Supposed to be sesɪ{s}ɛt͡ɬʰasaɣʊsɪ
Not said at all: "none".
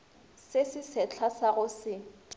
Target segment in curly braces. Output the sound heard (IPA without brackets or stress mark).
s